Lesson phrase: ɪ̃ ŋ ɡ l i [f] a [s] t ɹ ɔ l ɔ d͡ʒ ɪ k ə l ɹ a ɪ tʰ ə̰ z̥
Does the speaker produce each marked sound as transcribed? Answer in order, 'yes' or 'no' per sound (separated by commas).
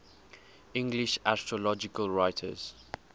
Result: no, yes